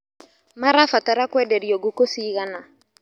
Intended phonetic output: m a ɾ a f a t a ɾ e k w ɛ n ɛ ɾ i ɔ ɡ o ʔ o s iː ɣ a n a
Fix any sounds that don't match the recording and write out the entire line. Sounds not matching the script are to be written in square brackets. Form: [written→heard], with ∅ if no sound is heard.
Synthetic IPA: m a ɾ a f a t a ɾ [e→a] k w ɛ [n→d] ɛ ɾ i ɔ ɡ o [ʔ→k] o s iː ɣ a n a